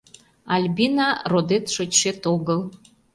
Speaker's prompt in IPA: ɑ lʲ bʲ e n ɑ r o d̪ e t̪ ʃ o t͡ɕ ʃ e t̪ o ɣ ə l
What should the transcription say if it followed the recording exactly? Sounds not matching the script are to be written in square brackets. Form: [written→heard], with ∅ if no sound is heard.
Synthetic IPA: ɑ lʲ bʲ [e→i] n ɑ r o d̪ e t̪ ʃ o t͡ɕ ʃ e t̪ o ɣ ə l